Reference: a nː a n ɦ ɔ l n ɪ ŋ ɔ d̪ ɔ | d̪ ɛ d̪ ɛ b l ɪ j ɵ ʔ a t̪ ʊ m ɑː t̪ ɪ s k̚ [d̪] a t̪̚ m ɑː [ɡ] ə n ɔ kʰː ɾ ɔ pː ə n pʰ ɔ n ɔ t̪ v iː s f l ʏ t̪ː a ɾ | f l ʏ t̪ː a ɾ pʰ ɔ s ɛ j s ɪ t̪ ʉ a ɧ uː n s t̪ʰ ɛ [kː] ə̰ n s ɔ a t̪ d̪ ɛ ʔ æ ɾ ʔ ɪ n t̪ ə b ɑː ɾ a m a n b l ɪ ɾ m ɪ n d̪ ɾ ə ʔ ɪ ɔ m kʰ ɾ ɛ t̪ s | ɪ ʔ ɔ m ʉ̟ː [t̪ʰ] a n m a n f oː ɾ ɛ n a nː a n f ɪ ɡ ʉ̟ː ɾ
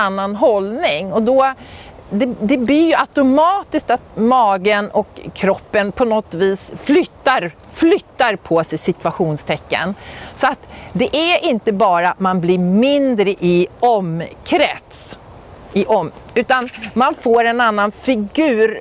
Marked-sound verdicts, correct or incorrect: incorrect: t̪, correct, correct, incorrect: t̪

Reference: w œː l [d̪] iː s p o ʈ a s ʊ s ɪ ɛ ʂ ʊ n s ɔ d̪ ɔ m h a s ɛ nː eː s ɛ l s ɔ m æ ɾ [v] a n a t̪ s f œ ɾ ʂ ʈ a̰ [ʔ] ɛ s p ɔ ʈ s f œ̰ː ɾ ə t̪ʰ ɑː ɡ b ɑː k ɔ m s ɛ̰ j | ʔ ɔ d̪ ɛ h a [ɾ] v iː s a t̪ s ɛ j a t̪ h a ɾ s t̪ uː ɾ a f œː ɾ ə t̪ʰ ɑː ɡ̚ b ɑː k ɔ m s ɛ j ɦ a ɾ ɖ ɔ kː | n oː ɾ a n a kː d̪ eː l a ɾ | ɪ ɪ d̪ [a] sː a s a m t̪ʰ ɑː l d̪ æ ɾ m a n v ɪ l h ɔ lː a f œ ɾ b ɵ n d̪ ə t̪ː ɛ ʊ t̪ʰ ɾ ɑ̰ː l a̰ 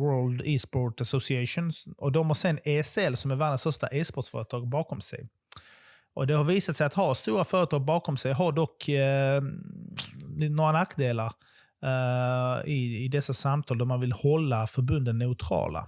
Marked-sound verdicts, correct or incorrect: correct, correct, correct, correct, incorrect: ɛ

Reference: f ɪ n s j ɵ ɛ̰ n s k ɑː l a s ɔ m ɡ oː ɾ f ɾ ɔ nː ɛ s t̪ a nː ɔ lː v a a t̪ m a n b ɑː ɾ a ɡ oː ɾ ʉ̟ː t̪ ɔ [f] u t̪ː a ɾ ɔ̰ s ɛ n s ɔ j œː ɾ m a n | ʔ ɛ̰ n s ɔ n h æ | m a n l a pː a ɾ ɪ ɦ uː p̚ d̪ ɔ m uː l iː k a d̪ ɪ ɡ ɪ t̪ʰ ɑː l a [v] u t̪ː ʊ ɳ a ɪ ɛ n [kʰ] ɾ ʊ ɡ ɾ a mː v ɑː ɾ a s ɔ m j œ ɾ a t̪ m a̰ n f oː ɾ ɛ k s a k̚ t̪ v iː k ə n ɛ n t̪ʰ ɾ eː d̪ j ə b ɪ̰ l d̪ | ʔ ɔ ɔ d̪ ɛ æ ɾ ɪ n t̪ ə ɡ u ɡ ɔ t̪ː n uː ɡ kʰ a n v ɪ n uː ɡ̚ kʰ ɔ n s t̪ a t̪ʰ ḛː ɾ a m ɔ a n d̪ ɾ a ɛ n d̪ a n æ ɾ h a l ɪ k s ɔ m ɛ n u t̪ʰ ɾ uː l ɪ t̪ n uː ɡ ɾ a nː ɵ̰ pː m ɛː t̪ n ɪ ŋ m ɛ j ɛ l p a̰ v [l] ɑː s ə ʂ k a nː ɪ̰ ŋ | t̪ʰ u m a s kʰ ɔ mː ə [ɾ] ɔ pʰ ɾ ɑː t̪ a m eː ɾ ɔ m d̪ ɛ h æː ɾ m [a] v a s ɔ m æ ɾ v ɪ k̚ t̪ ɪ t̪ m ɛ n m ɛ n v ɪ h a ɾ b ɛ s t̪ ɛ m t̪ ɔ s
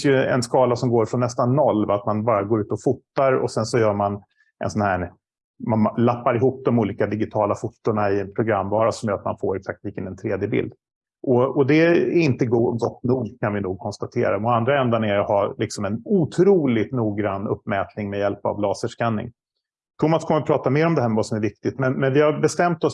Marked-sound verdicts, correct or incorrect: correct, incorrect: f, incorrect: pʰ, correct, correct, incorrect: ɛ

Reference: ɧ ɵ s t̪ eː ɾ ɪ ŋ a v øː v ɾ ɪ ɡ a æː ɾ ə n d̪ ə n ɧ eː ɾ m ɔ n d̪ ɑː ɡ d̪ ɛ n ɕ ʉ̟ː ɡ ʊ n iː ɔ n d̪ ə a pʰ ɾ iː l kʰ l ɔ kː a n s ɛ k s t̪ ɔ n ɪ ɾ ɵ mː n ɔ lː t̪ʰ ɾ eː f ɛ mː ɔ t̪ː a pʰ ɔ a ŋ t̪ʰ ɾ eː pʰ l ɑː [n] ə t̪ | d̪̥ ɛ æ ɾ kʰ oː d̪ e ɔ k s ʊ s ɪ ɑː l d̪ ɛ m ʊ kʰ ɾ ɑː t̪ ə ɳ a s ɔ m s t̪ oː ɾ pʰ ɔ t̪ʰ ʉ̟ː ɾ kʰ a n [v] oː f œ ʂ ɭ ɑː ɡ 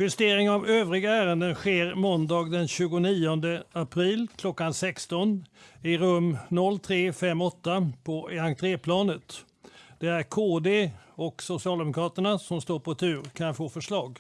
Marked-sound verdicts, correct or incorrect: correct, incorrect: f

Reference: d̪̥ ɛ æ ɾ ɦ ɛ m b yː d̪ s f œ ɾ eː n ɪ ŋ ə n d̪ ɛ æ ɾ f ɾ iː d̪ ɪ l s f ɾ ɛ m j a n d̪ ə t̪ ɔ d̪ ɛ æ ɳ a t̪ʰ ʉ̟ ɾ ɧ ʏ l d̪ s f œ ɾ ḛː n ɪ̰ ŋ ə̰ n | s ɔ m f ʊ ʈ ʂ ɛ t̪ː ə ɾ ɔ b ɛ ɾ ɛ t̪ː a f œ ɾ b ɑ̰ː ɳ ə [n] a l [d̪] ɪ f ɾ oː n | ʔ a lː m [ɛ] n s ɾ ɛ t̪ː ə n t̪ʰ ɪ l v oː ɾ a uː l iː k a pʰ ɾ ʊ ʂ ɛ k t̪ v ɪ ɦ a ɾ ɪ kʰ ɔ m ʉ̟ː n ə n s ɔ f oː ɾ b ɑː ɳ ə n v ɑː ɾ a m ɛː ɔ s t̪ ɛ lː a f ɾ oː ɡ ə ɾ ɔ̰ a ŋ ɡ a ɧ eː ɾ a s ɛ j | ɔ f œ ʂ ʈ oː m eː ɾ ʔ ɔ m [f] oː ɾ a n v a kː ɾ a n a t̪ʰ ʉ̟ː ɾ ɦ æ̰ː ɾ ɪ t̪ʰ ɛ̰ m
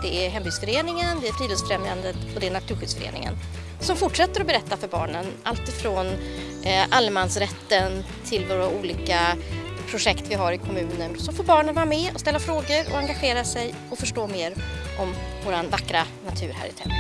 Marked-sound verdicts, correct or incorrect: correct, incorrect: t̪, incorrect: a, incorrect: v

